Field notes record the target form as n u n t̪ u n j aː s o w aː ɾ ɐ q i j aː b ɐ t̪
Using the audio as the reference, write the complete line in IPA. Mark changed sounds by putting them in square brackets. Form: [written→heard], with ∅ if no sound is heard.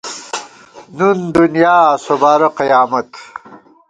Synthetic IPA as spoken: n u n [t̪→d̪] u n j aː s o [w→b] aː ɾ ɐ q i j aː [b→m] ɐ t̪